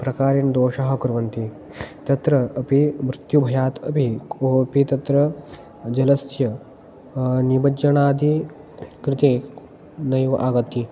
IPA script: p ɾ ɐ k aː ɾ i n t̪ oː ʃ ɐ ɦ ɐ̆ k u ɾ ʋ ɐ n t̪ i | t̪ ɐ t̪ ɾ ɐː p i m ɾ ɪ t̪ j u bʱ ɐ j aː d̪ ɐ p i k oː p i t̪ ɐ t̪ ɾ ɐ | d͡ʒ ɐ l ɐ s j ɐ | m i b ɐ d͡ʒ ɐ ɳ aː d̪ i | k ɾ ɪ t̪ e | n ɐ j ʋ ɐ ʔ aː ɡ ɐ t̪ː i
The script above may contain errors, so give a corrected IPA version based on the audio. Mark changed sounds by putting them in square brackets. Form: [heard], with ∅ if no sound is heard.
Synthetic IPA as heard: p ɾ ɐ k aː ɾ i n [d̪] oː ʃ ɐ ɦ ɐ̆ k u ɾ ʋ ɐ n t̪ i | t̪ ɐ t̪ ɾ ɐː p i m ɾ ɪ t̪ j u bʱ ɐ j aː [t̪] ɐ p i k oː p i t̪ ɐ t̪ ɾ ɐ | d͡ʒ ɐ l ɐ s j ɐ | [n] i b ɐ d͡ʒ ɐ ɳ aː d̪ i | k ɾ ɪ t̪ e | n ɐ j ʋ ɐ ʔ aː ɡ ɐ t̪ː i

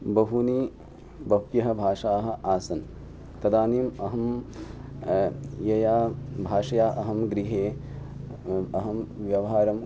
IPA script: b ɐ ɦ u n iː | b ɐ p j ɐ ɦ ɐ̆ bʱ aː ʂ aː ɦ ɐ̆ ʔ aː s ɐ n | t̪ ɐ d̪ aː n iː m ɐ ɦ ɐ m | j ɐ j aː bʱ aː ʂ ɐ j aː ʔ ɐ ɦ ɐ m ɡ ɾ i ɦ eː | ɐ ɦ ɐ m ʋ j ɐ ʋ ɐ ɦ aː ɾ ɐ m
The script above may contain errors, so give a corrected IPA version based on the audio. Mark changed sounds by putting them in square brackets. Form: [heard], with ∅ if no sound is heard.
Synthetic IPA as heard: b ɐ ɦ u n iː | b ɐ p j ɐ ɦ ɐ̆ bʱ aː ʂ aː ɦ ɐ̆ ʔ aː s ɐ n | t̪ ɐ d̪ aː n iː m ɐ ɦ ɐ m | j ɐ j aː bʱ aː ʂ ɐ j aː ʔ ɐ ɦ ɐ m ɡ ɾ i ɦ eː | ɐ ɦ ɐ m ʋ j ɐ ʋ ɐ ɦ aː ɾ ɐ m

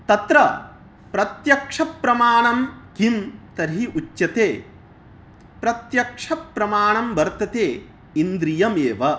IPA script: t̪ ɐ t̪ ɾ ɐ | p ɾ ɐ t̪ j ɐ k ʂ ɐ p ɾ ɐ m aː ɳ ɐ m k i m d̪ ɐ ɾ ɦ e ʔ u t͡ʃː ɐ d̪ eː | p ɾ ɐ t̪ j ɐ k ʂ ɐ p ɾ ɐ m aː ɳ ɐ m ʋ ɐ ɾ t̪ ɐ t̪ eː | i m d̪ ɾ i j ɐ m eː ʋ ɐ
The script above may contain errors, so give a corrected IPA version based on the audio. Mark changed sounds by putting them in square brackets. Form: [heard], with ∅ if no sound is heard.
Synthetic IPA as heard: t̪ ɐ t̪ ɾ ɐ | p ɾ ɐ t̪ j ɐ k ʂ ɐ p ɾ ɐ m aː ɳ ɐ m k i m [t̪] ɐ ɾ ɦ [i] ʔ u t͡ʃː ɐ [t̪] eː | p ɾ ɐ t̪ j ɐ k ʂ ɐ p ɾ ɐ m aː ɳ ɐ m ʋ ɐ ɾ t̪ ɐ t̪ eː | i [n] d̪ ɾ i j ɐ m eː ʋ ɐ

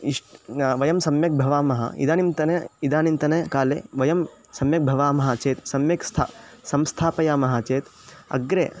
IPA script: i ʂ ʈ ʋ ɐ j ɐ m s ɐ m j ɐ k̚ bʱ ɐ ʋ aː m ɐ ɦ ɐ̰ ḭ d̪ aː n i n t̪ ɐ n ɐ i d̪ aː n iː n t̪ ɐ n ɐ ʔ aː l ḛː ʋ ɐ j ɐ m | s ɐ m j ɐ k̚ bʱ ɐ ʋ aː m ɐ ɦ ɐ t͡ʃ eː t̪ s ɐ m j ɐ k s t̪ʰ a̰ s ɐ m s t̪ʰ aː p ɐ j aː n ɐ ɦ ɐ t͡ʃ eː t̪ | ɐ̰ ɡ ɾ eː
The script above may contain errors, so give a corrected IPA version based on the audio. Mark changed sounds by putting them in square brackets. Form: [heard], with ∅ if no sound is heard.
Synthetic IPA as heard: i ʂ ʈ ʋ ɐ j ɐ m s ɐ m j ɐ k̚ bʱ ɐ ʋ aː m ɐ ɦ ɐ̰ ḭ d̪ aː n i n t̪ ɐ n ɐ i d̪ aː n [i] n t̪ ɐ n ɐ [k] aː l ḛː ʋ ɐ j ɐ m | s ɐ m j ɐ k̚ bʱ ɐ ʋ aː m ɐ ɦ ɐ t͡ʃ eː t̪ s ɐ m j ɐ k s t̪ʰ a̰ s ɐ m s t̪ʰ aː p ɐ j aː [m] ɐ ɦ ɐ t͡ʃ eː t̪ | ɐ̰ ɡ ɾ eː

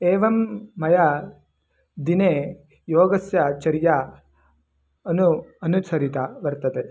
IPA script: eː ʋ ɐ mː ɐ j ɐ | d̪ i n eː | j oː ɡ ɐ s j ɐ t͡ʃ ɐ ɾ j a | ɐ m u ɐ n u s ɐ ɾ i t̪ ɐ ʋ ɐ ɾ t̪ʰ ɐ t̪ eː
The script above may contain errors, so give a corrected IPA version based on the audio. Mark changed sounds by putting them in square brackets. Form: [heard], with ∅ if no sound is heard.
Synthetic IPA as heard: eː ʋ ɐ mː ɐ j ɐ | d̪ i n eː | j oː ɡ ɐ s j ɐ t͡ʃ ɐ ɾ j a | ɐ [n] u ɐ n u s ɐ ɾ i t̪ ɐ ʋ ɐ ɾ [t̪] ɐ t̪ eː

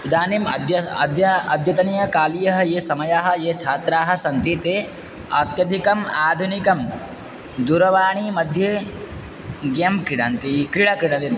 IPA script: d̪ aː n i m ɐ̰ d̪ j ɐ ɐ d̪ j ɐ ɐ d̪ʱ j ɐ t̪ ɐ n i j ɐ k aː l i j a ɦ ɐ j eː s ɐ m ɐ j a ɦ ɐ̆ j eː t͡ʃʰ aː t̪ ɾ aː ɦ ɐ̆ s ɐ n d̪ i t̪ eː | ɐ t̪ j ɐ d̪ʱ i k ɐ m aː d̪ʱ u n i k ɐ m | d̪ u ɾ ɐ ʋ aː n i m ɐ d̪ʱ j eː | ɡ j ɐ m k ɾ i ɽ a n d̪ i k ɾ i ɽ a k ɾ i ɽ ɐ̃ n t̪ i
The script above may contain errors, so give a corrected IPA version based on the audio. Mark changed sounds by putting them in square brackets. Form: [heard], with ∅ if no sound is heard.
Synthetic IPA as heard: d̪ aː n i m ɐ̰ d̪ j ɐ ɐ d̪ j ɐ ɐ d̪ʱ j ɐ t̪ ɐ n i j ɐ k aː l i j [ɐ] ɦ ɐ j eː s ɐ m ɐ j a ɦ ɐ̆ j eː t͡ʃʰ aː t̪ ɾ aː ɦ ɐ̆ s ɐ n [t̪] i t̪ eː | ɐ t̪ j ɐ d̪ʱ i k ɐ m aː d̪ʱ u n i k ɐ m | d̪ u ɾ ɐ ʋ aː [ɳ] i m ɐ d̪ʱ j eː | ɡ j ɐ m k ɾ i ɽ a n [t̪] i k ɾ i ɽ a k ɾ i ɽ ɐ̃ n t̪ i

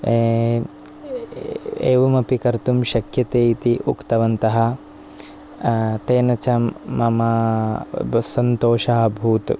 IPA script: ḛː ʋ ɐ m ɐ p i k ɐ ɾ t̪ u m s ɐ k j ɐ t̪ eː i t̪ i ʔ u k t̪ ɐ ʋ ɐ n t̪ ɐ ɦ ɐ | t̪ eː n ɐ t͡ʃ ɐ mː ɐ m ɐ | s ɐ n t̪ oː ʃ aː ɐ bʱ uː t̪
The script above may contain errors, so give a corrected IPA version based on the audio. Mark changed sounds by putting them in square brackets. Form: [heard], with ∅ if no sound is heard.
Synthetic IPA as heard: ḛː ʋ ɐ m ɐ p i k ɐ ɾ t̪ u m [ʃ] ɐ k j ɐ t̪ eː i t̪ i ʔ u k t̪ ɐ ʋ ɐ n t̪ ɐ ɦ ɐ | t̪ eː n ɐ t͡ʃ ɐ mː ɐ m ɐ | s ɐ n t̪ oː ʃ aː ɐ bʱ uː t̪

